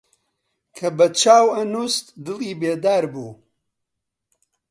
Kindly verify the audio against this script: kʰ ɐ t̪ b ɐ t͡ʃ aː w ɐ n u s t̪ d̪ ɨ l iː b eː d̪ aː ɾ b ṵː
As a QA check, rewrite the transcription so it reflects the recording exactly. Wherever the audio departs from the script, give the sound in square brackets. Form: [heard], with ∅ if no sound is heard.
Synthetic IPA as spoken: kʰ ɐ [∅] b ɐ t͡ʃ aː w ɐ n u s t̪ d̪ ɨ l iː b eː d̪ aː ɾ b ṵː